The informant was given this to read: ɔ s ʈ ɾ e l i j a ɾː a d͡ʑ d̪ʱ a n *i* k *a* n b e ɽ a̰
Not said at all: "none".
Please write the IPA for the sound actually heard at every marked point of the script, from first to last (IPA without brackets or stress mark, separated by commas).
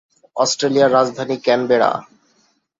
i, ɛ